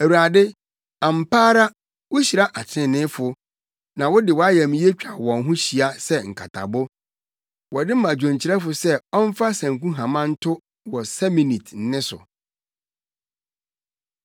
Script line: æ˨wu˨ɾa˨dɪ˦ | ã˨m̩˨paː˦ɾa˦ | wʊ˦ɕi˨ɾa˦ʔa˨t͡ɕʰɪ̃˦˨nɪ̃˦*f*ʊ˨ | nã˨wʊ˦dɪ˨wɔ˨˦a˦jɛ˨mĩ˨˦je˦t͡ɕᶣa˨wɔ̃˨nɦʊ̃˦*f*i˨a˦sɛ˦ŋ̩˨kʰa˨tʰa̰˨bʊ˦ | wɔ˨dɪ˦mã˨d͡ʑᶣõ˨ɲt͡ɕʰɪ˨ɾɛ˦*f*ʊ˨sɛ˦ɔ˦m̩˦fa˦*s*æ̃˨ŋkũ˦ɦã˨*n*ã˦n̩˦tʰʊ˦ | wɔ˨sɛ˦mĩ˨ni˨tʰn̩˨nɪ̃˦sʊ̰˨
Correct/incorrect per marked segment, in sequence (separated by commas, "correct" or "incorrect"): correct, incorrect, correct, correct, incorrect